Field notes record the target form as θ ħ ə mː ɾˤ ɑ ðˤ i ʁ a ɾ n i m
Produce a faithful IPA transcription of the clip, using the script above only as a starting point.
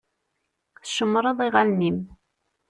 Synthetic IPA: θ ʃ ə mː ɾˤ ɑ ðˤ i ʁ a l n i m